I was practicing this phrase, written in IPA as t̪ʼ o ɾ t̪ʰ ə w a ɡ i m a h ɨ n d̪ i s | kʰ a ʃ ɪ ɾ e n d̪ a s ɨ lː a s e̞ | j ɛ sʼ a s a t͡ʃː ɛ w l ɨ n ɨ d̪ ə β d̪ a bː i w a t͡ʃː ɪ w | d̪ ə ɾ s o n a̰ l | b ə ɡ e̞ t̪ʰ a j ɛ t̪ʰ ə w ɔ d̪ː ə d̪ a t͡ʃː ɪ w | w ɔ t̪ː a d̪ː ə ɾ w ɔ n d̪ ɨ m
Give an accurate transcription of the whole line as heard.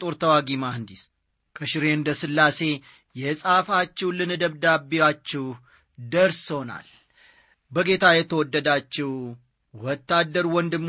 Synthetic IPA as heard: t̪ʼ o ɾ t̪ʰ ə w a ɡ i m a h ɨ n d̪ i s | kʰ ə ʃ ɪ ɾ e n d̪ ə s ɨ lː a s e̞ | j ɛ sʼ a f a t͡ʃː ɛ w l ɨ n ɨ d̪ ə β d̪ a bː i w a t͡ʃː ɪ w | d̪ ə ɾ s o n a̰ l | b ə ɡ e̞ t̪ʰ a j ɛ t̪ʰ ə w ɔ d̪ː ə d̪ a t͡ʃː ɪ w | w ɔ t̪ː a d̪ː ə ɾ w ɔ n d̪ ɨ m